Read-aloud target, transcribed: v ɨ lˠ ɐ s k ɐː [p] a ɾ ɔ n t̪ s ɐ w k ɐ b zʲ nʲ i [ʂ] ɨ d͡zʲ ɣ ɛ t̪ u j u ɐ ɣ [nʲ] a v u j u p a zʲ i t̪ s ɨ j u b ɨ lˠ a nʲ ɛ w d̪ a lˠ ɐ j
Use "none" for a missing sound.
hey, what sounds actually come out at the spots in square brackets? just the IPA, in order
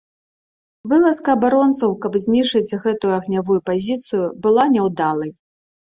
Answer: b, ʂ, nʲ

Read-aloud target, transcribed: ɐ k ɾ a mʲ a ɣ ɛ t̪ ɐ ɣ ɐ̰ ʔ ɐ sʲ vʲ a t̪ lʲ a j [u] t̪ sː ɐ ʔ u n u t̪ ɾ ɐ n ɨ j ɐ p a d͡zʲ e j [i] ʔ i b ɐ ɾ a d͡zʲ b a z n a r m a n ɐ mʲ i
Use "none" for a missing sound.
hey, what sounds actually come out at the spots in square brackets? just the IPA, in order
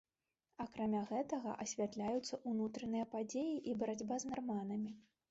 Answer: u, i

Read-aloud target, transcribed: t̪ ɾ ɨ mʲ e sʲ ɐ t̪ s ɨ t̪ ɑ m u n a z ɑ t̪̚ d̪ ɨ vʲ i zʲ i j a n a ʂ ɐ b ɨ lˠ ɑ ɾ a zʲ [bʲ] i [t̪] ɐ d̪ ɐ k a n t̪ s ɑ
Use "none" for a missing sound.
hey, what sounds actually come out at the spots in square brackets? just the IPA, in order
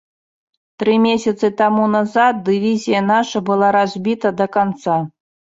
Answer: bʲ, t̪

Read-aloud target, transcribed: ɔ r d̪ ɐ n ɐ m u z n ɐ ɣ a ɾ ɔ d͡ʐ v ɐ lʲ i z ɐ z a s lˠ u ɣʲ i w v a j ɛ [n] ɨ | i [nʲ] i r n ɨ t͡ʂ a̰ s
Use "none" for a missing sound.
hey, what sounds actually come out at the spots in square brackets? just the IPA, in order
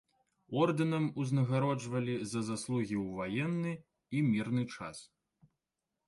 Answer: nː, mʲ

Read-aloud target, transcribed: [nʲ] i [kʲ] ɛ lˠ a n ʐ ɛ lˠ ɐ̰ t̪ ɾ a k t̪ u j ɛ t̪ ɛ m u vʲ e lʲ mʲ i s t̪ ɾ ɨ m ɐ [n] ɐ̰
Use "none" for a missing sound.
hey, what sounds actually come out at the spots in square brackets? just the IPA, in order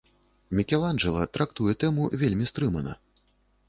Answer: mʲ, kʲ, n

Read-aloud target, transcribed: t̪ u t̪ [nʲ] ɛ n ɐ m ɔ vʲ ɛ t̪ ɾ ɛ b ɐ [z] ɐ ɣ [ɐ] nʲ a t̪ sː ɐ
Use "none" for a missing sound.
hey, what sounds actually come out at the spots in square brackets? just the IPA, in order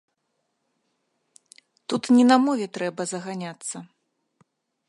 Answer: nʲ, z, a

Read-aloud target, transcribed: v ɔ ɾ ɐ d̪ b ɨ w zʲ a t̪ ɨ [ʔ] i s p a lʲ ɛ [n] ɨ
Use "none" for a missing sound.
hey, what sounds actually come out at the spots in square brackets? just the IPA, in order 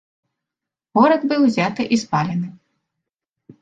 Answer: ʔ, n

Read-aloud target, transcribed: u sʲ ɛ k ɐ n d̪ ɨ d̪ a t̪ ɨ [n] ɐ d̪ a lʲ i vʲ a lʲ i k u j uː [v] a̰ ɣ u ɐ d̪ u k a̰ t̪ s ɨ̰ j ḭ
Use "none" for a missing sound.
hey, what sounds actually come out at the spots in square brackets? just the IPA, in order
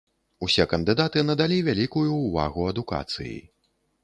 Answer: n, v

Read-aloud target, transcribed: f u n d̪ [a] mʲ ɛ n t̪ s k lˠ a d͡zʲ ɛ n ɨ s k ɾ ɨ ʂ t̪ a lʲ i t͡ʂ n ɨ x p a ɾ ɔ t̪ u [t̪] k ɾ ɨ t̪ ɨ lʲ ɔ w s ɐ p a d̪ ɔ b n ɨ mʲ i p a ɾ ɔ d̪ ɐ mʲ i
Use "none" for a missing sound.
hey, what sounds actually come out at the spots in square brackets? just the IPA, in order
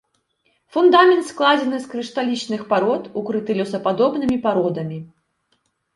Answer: a, none

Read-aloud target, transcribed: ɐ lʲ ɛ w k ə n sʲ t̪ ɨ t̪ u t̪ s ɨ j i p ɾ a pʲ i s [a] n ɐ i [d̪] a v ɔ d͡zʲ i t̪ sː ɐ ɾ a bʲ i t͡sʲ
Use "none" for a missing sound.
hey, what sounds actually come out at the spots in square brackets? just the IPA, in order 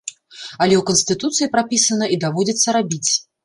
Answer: ɐ, d̪

